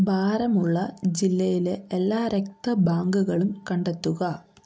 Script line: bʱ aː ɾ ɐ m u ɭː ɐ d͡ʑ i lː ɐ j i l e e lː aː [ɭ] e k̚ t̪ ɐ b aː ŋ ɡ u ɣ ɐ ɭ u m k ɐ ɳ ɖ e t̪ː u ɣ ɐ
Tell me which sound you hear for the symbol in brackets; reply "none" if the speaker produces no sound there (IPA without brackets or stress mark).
ɾ